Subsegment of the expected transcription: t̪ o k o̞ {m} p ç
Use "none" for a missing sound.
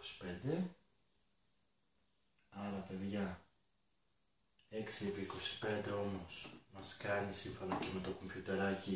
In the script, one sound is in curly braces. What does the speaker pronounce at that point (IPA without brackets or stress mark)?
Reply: m